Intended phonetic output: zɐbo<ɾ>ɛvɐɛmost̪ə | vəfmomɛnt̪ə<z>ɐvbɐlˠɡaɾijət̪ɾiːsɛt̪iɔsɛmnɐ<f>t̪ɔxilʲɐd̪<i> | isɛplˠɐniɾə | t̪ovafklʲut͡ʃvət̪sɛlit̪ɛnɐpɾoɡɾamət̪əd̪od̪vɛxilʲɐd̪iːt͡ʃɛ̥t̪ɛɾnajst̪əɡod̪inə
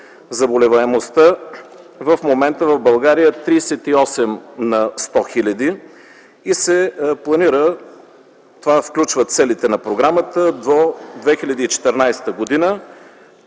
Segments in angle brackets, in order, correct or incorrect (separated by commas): incorrect, incorrect, incorrect, correct